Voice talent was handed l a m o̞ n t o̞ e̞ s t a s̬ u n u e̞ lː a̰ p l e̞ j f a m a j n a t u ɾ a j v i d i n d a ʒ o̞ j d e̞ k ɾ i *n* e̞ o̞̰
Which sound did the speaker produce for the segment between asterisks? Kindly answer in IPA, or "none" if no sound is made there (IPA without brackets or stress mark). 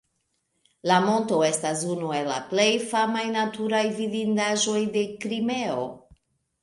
m